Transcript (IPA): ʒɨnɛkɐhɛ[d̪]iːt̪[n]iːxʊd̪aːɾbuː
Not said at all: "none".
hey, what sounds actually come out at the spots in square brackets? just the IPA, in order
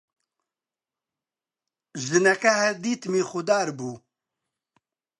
d̪, m

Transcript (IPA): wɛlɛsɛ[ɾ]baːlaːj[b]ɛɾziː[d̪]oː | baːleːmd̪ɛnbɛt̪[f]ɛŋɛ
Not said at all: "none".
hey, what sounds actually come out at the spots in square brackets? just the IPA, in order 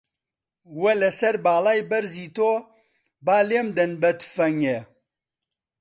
ɾ, b, t̪, f

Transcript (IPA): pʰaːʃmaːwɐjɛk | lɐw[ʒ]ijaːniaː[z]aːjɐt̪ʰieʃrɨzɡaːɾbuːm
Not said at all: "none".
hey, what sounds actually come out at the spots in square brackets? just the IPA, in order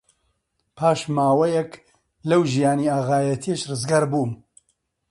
ʒ, ɣ

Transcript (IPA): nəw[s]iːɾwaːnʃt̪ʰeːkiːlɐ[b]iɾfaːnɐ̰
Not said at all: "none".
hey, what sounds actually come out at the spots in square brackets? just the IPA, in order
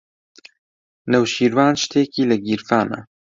ʃ, ɡ

